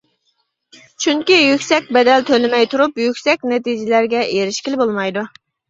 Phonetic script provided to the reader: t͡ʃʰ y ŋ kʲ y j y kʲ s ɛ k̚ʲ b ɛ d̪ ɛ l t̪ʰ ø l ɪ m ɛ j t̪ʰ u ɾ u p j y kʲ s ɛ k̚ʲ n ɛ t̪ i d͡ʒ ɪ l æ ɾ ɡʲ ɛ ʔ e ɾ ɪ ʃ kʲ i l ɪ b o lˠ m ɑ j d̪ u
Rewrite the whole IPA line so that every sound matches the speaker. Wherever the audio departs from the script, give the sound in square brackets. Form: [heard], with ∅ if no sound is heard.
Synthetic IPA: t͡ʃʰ y ŋ kʲ [i] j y kʲ s ɛ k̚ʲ b ɛ d̪ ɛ l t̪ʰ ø l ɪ m ɛ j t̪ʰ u ɾ u p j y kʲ s ɛ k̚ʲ n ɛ t̪ i d͡ʒ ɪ l æ ɾ ɡʲ ɛ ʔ e ɾ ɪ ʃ kʲ i l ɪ b o lˠ m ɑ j d̪ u